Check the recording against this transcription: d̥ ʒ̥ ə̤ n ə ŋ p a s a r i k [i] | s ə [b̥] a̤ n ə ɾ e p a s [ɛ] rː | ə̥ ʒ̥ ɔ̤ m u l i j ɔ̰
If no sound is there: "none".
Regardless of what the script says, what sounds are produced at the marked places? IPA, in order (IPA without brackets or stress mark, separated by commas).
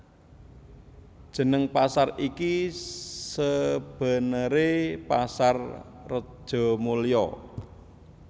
i, b̥, a